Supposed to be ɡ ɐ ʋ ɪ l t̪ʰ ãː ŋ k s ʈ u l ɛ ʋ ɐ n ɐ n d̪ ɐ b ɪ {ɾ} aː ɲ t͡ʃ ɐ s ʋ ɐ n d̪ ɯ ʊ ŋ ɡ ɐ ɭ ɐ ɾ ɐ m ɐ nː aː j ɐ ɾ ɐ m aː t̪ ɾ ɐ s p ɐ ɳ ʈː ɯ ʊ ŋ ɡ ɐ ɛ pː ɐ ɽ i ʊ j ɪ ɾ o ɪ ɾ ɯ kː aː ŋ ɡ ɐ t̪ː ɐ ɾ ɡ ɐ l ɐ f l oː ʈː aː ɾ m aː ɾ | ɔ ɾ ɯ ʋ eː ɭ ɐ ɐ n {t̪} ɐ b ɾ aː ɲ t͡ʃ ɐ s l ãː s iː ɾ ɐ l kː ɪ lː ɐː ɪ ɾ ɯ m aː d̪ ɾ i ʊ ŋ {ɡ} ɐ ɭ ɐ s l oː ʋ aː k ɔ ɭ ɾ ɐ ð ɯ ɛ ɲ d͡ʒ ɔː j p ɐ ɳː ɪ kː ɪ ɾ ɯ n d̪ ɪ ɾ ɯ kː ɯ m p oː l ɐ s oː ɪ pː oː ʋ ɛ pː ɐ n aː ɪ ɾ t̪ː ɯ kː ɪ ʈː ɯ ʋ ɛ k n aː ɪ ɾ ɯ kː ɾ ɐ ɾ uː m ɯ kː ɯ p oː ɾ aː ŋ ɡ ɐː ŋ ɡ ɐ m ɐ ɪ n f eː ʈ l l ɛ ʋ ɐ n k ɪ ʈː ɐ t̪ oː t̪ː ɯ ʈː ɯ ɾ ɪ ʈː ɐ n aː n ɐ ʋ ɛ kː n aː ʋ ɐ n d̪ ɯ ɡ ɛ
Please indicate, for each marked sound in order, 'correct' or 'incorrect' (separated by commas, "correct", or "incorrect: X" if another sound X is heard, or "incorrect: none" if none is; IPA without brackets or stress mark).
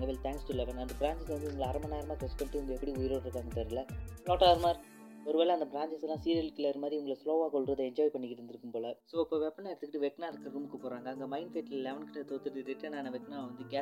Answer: correct, incorrect: d̪, correct